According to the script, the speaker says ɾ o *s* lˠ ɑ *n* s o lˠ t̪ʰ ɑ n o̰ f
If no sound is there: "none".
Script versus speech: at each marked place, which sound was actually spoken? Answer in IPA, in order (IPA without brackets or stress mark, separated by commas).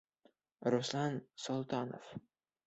s, n